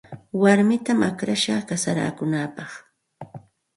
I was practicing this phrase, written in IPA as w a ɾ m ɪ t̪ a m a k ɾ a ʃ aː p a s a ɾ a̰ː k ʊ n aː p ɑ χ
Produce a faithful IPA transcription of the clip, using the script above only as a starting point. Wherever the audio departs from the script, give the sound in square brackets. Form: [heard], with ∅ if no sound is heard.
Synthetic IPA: w a ɾ m ɪ t̪ a m a k ɾ a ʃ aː [k] a s a ɾ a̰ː k ʊ n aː p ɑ χ